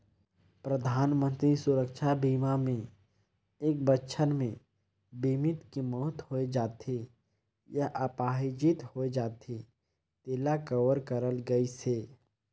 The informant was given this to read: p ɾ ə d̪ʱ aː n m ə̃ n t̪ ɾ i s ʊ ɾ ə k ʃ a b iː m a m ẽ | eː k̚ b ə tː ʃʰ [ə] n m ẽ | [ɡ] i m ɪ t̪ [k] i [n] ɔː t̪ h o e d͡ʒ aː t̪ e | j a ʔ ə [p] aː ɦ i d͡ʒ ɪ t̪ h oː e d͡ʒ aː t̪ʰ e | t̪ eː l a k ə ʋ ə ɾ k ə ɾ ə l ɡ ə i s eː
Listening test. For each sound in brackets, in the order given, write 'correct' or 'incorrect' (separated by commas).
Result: correct, incorrect, correct, incorrect, correct